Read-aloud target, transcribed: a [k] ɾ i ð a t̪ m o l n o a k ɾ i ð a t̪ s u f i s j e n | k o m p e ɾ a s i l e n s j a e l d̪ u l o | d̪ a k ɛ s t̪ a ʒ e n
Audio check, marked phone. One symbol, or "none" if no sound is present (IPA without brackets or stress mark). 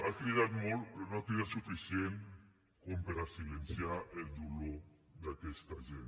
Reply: k